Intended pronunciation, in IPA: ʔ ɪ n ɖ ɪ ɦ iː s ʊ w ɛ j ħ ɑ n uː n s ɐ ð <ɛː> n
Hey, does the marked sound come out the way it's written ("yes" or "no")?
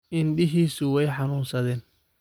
yes